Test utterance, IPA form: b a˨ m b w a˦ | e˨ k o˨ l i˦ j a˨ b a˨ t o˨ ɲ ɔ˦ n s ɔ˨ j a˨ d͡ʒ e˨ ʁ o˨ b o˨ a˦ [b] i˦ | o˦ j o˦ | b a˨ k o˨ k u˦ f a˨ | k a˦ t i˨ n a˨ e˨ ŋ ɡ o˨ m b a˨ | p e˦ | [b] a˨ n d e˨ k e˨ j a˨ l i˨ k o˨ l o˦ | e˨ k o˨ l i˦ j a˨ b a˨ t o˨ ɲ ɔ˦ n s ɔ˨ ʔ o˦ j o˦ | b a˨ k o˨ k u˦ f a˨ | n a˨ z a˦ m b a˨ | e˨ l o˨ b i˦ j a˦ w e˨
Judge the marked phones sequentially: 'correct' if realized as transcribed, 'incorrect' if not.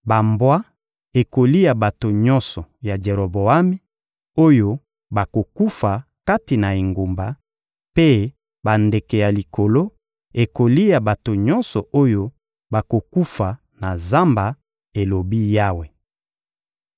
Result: incorrect, correct

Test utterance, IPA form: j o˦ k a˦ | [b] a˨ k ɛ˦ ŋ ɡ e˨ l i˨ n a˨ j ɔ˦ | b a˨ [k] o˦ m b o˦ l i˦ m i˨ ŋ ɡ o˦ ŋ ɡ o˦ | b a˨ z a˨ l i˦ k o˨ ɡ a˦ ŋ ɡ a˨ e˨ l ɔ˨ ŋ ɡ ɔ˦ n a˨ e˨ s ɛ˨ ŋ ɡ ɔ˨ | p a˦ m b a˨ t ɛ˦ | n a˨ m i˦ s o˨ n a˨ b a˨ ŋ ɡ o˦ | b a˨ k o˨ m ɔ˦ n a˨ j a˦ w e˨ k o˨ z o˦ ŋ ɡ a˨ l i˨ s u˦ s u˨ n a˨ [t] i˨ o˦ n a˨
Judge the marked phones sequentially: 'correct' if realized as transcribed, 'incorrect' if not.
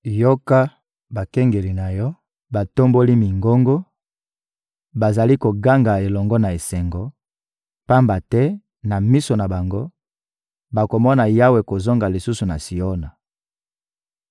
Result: correct, incorrect, incorrect

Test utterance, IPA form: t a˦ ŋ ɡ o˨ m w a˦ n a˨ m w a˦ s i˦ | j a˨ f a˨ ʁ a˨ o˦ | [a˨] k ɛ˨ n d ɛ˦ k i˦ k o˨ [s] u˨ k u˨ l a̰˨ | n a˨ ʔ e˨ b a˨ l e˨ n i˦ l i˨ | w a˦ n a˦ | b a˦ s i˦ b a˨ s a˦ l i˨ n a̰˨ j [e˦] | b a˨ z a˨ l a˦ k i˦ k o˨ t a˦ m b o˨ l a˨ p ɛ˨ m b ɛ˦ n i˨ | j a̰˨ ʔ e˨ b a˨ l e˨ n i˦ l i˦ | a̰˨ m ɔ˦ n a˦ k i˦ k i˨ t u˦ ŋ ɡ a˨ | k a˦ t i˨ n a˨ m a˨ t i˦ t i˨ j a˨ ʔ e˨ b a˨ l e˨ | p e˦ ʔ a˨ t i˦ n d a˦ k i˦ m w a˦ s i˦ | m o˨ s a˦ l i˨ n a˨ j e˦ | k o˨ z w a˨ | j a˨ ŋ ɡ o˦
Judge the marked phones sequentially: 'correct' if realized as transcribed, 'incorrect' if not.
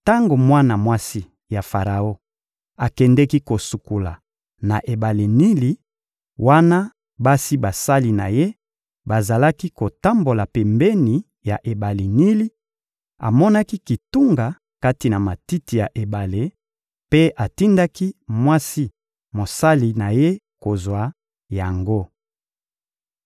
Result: correct, correct, correct

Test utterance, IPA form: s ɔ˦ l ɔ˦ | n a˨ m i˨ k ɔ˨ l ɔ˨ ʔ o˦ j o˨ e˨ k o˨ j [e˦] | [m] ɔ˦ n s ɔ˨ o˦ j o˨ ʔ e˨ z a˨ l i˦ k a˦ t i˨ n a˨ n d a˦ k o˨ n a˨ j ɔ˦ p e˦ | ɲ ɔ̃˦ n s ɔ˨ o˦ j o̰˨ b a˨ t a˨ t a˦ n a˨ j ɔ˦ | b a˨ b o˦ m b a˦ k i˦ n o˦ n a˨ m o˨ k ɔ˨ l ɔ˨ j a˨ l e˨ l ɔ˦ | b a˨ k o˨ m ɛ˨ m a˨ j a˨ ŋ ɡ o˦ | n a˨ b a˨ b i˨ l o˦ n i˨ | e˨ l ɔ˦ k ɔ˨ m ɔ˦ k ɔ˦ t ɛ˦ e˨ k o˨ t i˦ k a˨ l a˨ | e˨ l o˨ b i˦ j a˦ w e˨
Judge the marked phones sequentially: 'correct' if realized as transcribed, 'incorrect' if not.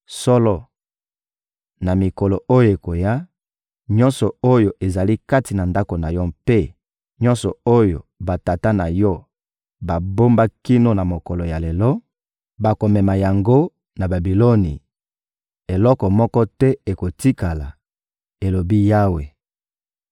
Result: incorrect, incorrect

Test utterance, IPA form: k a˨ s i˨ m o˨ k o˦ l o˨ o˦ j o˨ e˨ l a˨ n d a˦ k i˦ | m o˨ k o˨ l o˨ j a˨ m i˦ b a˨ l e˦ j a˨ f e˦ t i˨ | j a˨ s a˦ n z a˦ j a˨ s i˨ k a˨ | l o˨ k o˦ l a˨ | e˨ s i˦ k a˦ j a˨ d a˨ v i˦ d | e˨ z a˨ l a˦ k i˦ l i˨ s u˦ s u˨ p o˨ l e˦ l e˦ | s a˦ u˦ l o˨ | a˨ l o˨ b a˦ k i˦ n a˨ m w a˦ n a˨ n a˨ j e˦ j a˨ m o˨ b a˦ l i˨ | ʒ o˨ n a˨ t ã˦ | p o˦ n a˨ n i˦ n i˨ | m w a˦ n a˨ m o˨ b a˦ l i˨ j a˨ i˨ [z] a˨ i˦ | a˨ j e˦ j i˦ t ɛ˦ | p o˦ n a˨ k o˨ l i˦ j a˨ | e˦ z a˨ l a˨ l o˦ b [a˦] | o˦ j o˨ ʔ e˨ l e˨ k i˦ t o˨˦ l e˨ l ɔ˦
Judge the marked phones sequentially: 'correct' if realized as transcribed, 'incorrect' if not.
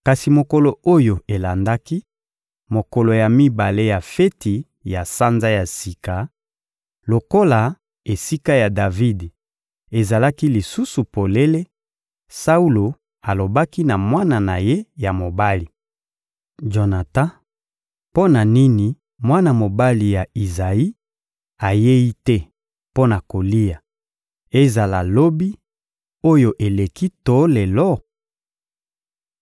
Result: correct, incorrect

